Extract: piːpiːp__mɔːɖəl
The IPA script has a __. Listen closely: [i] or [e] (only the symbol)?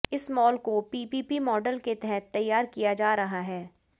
i